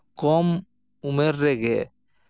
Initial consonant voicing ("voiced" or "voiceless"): voiceless